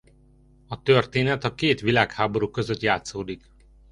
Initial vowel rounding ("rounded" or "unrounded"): rounded